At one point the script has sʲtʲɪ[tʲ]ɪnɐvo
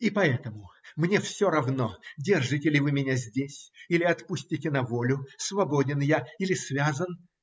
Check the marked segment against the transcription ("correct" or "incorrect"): correct